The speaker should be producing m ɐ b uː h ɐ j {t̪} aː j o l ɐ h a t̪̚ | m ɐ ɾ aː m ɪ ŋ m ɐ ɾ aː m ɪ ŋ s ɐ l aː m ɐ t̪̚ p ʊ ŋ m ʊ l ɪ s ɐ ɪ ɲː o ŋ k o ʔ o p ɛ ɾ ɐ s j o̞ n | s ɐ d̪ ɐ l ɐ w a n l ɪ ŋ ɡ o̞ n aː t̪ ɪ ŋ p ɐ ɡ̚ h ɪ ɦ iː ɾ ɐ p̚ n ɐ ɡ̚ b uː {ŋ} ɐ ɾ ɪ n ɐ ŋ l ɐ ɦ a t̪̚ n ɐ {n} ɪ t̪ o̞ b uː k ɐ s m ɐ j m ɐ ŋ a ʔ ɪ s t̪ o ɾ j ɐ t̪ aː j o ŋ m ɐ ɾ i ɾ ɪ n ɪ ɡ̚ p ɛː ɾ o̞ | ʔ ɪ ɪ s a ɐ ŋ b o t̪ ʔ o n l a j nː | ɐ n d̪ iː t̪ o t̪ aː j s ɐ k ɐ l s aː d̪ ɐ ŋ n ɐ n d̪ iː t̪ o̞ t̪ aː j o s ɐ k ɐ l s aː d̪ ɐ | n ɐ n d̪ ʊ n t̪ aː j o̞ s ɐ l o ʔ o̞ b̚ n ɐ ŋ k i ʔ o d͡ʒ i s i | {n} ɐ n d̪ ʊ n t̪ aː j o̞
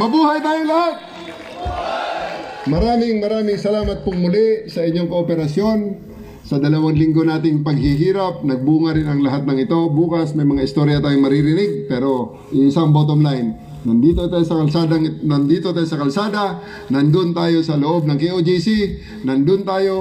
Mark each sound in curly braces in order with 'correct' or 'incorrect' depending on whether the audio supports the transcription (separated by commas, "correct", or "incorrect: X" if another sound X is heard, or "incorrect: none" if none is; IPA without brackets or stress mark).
correct, correct, incorrect: ŋ, correct